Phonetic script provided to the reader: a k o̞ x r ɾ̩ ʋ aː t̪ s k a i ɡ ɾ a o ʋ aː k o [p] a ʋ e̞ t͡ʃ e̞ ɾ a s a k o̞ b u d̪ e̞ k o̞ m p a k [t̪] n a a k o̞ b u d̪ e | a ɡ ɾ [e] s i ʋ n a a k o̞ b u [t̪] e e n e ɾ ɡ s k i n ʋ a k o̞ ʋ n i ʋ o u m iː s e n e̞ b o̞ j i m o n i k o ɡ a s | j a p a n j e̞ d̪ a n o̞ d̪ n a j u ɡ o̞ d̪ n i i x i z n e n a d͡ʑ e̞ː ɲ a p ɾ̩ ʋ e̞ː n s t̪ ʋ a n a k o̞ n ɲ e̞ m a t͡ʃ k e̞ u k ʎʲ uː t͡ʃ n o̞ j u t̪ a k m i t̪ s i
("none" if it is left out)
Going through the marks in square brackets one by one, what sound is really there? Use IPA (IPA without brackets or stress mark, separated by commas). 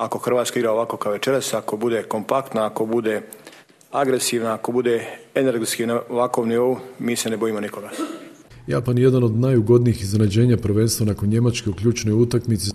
k, t̪, e, d̪